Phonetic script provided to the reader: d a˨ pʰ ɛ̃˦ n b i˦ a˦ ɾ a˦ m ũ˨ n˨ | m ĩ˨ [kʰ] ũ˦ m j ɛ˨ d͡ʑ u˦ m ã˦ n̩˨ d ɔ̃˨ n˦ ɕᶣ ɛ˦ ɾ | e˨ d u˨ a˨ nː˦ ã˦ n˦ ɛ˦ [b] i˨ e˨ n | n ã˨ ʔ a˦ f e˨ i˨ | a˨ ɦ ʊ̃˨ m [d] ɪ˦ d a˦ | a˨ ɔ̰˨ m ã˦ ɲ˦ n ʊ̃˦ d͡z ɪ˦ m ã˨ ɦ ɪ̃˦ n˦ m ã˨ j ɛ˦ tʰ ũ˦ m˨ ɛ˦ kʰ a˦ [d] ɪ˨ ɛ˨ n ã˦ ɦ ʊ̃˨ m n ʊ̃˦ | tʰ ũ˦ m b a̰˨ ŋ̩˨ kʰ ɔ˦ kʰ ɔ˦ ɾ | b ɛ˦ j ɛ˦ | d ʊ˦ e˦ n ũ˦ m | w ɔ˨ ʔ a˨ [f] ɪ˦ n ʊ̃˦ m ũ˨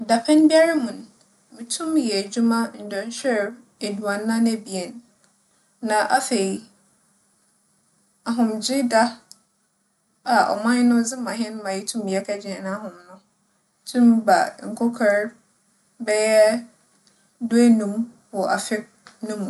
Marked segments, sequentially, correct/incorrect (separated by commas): incorrect, correct, incorrect, incorrect, correct